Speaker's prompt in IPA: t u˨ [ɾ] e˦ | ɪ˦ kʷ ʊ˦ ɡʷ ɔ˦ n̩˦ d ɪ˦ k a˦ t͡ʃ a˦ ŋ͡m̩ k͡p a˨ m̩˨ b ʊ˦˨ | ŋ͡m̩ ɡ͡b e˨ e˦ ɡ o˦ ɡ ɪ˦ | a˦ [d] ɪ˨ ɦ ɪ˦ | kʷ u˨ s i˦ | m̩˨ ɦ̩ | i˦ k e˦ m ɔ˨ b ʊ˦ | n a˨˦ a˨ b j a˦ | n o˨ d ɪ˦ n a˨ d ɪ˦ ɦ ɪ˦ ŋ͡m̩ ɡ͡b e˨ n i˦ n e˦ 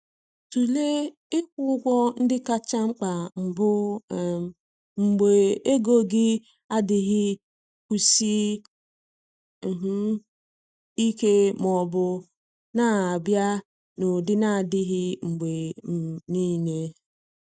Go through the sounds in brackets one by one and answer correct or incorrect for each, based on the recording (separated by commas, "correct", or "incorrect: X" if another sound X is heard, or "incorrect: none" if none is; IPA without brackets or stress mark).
incorrect: l, correct